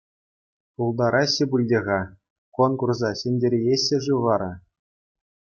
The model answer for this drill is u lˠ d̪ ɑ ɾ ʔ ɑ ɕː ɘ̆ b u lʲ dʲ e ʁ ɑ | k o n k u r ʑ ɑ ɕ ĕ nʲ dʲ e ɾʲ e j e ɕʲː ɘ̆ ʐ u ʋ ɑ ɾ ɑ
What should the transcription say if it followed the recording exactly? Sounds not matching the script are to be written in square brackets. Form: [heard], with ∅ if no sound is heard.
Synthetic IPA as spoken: u lˠ d̪ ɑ ɾ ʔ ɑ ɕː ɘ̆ b u lʲ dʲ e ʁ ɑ | k o n k u r [z] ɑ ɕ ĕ nʲ dʲ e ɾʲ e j e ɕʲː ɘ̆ ʐ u ʋ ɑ ɾ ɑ